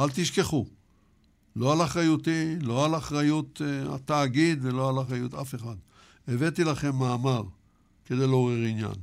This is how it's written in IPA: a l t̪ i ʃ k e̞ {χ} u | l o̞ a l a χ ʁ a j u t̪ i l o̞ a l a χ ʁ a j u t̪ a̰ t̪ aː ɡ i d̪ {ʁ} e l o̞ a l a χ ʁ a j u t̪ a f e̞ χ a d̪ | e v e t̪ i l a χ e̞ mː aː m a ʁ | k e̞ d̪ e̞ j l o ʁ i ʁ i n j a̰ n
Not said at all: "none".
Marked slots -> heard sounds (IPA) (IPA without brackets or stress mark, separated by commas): χ, v